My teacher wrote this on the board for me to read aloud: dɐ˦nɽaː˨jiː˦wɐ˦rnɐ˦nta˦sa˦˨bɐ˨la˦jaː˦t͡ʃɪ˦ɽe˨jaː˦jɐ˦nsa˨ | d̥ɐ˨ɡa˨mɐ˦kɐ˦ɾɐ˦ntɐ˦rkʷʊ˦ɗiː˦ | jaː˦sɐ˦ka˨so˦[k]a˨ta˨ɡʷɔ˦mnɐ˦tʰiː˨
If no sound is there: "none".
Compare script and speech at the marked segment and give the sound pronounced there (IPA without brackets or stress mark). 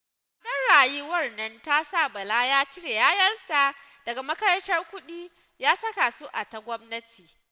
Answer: ʔ